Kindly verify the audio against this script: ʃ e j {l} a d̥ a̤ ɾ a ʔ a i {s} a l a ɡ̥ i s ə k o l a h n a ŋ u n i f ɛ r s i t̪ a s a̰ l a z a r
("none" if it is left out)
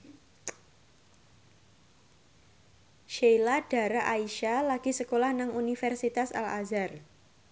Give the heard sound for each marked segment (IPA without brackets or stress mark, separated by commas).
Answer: l, ʃ